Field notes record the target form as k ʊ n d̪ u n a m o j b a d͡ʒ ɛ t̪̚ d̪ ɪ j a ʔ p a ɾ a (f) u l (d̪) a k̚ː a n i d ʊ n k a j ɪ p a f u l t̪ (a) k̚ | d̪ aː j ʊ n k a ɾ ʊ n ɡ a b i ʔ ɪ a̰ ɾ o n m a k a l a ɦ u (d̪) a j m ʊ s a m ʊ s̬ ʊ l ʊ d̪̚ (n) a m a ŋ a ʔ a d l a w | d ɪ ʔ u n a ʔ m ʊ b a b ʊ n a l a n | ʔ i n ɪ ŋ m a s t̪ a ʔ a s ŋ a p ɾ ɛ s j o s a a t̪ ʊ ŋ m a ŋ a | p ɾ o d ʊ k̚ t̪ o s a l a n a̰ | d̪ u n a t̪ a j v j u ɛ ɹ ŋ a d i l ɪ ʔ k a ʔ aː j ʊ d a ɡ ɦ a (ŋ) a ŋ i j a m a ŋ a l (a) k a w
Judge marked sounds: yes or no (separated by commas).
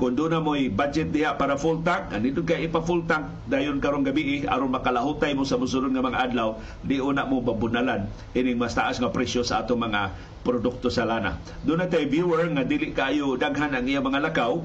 yes, no, yes, no, no, no, yes